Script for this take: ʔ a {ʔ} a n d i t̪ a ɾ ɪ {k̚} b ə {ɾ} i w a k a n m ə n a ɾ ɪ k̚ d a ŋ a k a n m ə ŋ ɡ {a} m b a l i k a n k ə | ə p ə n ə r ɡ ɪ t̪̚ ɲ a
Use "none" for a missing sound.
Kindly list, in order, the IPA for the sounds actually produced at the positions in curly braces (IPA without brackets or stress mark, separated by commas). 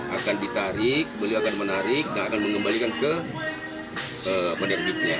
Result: k, k̚, l, ə